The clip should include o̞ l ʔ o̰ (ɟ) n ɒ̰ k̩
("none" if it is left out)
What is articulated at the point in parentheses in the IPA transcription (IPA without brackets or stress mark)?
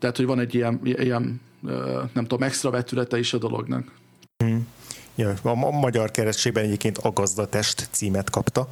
ɡ